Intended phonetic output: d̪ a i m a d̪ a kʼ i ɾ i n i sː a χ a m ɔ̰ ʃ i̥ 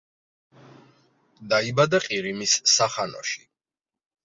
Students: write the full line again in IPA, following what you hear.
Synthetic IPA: d̪ a i b a d̪ a qʼ i ɾ i m i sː a χ a n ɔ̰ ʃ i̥